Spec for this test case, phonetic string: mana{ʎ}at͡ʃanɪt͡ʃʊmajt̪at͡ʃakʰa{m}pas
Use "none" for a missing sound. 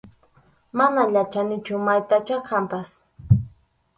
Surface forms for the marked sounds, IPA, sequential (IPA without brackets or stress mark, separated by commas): ʎ, m